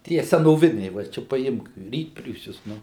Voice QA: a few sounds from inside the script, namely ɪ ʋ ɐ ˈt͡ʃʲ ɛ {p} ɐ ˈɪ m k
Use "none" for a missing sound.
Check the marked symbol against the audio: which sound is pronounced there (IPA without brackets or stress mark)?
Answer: p